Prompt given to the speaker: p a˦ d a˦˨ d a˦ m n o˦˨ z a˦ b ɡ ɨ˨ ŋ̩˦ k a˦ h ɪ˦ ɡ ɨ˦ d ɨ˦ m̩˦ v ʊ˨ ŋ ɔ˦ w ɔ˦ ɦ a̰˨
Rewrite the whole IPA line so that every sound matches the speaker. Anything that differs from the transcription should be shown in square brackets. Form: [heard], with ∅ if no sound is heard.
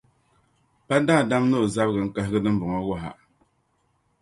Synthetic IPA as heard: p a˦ d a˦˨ d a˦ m n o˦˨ z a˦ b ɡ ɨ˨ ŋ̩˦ k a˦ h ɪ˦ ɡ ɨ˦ d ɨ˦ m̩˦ [b] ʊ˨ ŋ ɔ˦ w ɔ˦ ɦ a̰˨